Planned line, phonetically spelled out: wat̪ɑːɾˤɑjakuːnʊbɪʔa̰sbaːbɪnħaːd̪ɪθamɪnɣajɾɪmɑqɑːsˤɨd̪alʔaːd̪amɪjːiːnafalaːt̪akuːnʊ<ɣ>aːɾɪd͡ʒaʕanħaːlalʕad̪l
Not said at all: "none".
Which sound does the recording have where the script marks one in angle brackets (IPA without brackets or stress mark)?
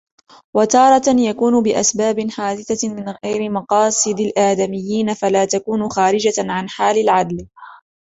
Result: x